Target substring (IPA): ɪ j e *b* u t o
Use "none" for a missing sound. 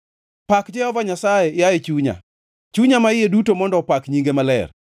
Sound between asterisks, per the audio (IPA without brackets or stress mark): d